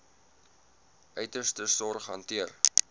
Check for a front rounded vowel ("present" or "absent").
present